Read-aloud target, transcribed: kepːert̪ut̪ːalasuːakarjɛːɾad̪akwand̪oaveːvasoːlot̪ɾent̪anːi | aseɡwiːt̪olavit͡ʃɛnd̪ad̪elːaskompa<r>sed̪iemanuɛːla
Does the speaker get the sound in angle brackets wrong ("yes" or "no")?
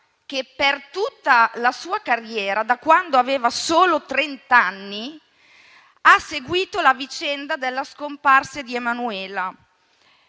no